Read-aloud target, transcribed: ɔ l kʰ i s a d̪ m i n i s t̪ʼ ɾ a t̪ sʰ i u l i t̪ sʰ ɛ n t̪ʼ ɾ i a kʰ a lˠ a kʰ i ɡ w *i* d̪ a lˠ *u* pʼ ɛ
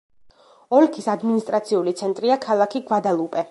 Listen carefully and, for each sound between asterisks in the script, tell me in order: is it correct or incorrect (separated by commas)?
incorrect, correct